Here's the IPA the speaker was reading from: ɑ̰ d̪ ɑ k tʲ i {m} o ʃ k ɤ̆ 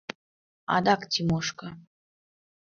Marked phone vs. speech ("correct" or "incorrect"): correct